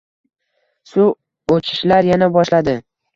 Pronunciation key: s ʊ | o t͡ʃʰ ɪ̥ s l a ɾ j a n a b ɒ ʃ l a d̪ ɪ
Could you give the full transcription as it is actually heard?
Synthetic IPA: s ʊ | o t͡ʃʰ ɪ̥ ʃ l a ɾ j a n a b ɒ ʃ l a d̪ ɪ